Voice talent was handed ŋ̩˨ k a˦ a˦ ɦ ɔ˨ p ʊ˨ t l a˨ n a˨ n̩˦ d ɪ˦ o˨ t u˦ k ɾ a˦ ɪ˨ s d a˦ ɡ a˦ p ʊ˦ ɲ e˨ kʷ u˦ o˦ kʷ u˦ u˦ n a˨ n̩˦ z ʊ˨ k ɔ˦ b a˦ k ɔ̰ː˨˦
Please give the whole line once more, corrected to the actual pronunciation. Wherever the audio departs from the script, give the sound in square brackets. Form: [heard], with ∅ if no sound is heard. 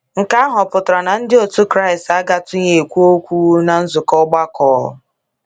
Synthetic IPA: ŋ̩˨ k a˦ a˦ ɦ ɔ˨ p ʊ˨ t [ɾ] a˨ n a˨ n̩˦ d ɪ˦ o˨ t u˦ k ɾ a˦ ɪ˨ s [t] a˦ ɡ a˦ [t] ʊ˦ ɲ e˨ kʷ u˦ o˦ kʷ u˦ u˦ n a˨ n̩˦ z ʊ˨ k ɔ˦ [ɡ͡b] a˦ k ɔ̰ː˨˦

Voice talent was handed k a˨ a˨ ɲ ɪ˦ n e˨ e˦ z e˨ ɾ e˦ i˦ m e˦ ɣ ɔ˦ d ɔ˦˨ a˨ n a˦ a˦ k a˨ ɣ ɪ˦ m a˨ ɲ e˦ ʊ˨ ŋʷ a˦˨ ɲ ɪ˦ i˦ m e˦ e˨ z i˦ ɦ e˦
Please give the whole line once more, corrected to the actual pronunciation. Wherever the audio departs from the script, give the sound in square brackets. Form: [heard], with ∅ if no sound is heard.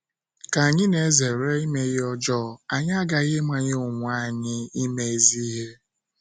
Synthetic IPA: k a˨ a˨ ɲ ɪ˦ n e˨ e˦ z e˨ ɾ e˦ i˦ m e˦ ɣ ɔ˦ [d͡ʒ] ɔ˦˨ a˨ [ɲ] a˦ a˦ [ɡ] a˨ ɣ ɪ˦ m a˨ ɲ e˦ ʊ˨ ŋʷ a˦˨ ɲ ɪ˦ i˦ m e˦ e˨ z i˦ ɦ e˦

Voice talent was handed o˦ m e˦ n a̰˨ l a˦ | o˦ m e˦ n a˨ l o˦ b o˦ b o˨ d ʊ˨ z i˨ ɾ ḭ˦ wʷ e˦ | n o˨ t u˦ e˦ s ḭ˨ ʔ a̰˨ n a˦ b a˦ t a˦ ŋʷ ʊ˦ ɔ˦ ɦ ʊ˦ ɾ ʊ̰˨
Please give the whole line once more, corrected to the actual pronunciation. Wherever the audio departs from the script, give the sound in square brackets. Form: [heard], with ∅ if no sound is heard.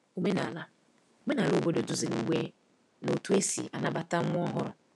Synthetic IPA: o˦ m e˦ n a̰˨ l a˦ | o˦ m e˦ n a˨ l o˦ b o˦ [d] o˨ d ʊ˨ z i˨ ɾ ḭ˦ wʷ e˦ | n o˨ t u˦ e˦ s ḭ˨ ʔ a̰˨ n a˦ b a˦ t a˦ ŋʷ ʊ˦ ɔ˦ ɦ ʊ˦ ɾ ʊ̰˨

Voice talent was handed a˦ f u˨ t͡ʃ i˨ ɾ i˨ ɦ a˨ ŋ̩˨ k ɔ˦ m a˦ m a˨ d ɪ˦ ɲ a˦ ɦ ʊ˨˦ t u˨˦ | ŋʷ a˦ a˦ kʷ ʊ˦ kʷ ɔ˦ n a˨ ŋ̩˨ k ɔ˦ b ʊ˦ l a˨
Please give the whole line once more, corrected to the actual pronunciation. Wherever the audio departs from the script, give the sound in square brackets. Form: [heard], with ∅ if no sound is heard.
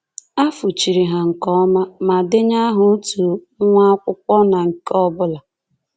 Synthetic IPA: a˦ f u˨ t͡ʃ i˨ ɾ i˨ ɦ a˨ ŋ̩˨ k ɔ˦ m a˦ m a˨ d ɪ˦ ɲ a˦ ɦ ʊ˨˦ t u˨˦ | ŋʷ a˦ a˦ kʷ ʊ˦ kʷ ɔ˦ n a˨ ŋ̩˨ k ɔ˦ b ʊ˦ l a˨

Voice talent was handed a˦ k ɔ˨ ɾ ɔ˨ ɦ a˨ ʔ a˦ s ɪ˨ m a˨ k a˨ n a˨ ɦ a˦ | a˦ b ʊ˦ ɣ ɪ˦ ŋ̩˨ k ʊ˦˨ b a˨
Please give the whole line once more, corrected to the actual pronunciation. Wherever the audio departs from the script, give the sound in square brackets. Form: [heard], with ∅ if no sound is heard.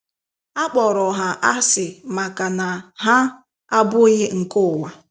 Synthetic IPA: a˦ [k͡p] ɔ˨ ɾ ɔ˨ ɦ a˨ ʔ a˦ s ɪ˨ m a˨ k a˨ n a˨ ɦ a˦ | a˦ b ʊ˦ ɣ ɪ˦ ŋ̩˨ k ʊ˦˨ [w] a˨

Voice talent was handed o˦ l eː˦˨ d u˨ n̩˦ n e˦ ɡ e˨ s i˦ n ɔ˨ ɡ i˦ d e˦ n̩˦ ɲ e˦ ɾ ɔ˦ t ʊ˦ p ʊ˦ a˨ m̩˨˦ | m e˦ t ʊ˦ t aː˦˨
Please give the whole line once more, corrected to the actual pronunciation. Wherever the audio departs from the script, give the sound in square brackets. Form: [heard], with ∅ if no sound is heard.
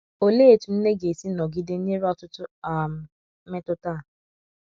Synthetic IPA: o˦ l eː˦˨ [t] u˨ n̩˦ n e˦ ɡ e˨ s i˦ n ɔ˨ ɡ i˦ d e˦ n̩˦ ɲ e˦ ɾ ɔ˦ t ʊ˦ [t] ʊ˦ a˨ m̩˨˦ | m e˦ t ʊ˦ t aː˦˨

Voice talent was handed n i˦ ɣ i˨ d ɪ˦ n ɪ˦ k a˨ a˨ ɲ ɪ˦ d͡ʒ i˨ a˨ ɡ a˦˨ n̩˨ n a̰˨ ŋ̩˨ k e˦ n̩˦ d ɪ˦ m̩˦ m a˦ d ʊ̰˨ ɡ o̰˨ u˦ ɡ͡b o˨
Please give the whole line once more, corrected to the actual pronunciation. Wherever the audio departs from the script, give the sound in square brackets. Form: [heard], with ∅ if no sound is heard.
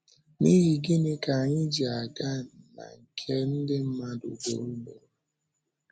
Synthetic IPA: n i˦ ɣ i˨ [ɡ] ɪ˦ n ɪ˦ k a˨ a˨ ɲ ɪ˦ d͡ʒ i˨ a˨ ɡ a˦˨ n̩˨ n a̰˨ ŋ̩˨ [kʰ] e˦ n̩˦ d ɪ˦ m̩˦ m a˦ d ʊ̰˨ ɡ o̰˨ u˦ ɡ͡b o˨

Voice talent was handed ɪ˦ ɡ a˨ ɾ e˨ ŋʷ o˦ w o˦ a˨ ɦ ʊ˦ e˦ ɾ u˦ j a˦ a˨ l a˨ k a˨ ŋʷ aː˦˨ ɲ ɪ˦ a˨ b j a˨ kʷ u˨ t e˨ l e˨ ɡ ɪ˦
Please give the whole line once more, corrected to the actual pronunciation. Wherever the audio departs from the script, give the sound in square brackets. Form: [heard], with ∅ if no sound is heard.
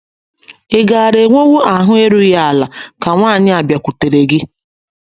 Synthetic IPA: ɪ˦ ɡ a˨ ɾ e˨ ŋʷ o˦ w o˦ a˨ ɦ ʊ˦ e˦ ɾ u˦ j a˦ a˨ l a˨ k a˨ ŋʷ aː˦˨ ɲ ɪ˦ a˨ b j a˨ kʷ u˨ t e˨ [ɾ] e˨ ɡ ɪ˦

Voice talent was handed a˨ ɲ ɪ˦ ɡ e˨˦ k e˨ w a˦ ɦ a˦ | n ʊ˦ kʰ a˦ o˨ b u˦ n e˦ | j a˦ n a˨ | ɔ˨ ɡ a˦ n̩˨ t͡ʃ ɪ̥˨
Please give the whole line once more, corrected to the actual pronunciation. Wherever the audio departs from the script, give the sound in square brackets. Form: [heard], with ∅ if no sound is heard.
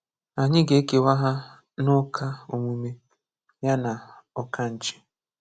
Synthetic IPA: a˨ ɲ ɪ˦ ɡ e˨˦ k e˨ w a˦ ɦ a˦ | n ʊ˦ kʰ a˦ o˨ [m] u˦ [m] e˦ | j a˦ n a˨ | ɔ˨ [k] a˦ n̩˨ t͡ʃ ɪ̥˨

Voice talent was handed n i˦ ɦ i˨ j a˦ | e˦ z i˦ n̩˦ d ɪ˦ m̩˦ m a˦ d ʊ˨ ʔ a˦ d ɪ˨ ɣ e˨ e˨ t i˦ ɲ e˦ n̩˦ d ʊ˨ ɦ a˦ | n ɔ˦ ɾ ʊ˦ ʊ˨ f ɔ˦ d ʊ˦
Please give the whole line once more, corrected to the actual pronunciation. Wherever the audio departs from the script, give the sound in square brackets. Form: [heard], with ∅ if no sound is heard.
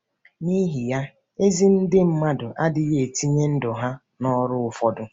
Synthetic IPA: n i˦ ɦ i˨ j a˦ | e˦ z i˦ n̩˦ d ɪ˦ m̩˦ m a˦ d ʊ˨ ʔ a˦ d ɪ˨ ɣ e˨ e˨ t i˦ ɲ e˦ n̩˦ d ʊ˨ ɦ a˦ | n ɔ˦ ɾ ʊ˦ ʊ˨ f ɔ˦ d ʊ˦

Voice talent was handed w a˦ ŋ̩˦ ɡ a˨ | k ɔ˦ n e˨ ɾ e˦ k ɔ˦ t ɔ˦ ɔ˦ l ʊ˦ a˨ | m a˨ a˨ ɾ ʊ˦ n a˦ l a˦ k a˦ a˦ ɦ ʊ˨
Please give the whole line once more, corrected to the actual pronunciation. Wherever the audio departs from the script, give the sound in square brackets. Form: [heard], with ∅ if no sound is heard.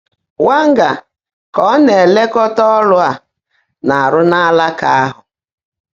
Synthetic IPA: w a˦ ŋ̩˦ ɡ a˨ | k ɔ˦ n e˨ [l] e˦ k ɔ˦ t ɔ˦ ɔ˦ l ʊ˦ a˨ | [n] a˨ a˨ ɾ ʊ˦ n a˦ l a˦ k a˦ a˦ ɦ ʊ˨

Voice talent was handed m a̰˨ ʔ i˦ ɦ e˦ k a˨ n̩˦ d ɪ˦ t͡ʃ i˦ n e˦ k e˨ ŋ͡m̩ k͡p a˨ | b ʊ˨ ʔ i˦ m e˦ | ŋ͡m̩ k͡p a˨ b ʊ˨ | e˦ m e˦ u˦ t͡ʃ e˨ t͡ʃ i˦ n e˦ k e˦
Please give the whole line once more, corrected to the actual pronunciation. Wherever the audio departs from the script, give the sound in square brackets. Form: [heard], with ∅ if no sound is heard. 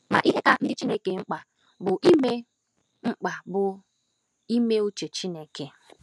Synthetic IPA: m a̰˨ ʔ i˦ ɦ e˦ k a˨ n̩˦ d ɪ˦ t͡ʃ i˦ n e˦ k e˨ ŋ͡m̩ k͡p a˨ | b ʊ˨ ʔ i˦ m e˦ | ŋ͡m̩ k͡p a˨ b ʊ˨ | [i˦] m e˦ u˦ t͡ʃ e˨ t͡ʃ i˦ n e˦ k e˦

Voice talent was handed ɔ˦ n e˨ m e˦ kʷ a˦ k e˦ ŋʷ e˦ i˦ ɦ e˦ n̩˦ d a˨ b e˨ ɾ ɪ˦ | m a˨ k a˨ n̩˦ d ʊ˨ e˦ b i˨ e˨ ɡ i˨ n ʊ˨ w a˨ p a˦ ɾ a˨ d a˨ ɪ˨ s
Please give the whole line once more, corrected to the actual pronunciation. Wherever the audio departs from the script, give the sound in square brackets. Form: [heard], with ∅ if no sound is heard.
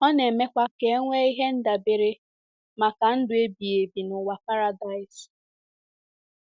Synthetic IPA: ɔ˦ n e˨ m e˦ kʷ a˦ k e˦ ŋʷ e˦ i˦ ɦ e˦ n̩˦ d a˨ b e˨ ɾ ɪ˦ | m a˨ k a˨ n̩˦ d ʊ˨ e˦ b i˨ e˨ [b] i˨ n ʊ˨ w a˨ p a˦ ɾ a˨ d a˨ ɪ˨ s

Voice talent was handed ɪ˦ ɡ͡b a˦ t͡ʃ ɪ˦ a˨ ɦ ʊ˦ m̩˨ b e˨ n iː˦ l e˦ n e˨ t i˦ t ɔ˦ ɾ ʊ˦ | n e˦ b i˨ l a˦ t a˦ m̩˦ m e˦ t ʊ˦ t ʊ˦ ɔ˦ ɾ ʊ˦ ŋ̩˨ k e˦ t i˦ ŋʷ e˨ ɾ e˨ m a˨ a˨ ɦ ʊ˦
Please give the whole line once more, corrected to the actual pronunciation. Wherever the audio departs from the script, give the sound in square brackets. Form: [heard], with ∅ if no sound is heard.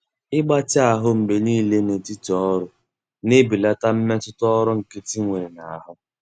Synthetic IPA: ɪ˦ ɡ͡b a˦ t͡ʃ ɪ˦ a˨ ɦ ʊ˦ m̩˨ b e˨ n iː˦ l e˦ n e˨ t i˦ t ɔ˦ ɾ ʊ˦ | n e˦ b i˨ l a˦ t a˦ m̩˦ m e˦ t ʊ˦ t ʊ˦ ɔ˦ ɾ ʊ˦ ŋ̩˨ k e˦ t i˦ ŋʷ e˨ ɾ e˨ [n] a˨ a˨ ɦ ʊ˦

